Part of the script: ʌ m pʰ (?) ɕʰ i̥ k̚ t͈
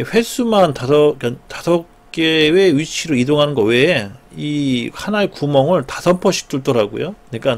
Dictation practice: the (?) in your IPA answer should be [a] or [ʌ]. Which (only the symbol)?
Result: ʌ